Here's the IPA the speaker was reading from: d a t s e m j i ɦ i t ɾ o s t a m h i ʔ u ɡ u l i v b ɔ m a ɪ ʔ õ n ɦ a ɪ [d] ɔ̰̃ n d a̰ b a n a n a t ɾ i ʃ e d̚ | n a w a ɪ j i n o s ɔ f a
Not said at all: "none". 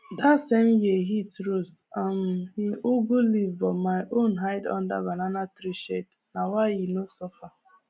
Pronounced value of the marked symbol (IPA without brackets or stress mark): d